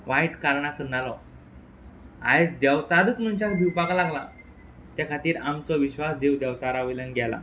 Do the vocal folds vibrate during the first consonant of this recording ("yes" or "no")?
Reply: yes